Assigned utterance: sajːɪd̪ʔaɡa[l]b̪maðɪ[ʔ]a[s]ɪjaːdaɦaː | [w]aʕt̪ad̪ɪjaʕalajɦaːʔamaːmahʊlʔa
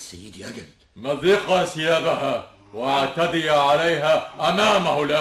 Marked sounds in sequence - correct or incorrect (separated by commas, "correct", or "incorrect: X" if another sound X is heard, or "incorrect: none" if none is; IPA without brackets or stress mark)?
incorrect: none, incorrect: q, correct, correct